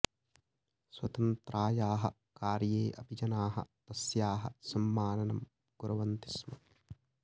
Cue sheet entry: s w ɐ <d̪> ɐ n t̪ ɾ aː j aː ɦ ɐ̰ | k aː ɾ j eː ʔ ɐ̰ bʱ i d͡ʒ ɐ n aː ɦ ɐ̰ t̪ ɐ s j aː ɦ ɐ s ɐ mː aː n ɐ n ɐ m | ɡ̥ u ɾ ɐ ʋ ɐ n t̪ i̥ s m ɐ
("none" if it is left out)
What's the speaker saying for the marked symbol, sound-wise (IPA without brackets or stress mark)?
t̪